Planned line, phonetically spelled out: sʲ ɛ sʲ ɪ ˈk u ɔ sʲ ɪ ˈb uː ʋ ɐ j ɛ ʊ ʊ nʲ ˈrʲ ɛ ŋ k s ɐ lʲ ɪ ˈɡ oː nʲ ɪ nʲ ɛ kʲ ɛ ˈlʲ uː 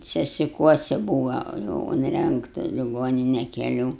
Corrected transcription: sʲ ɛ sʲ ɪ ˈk u ɔ sʲ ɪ ˈb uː ʋ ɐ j ɛ ʊ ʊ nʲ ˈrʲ ɛ ŋ k t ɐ lʲ ɪ ˈɡ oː nʲ ɪ nʲ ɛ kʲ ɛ ˈlʲ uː